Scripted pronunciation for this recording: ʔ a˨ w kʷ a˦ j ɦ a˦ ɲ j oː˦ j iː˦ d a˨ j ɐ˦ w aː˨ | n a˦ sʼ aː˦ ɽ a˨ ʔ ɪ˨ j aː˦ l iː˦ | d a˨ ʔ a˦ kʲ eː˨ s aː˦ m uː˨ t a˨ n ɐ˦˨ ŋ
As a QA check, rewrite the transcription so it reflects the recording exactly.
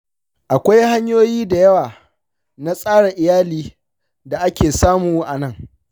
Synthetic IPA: ʔ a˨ kʷ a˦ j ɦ a˦ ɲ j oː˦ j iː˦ d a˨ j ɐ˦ w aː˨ | n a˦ sʼ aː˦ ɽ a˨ ʔ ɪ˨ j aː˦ l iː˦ | d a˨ ʔ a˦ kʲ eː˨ s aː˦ m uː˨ ʔ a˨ n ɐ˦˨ ŋ